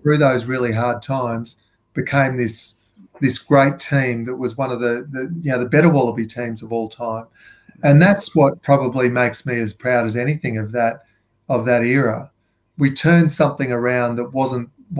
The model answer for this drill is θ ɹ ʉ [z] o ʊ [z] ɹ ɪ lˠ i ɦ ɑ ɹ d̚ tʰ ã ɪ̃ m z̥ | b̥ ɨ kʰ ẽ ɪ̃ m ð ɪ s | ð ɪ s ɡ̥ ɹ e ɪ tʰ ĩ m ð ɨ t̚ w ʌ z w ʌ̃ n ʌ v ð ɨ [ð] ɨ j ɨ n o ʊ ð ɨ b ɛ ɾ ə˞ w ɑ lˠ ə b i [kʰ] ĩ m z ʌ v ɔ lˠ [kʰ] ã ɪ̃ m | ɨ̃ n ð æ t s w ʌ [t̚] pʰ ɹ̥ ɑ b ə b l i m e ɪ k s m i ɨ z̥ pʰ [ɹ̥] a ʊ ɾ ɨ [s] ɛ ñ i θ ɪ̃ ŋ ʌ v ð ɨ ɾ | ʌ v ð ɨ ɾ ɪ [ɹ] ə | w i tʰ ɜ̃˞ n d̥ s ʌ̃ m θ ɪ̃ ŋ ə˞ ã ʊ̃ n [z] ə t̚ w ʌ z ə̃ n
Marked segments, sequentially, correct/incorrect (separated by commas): incorrect, correct, correct, incorrect, incorrect, correct, correct, incorrect, correct, incorrect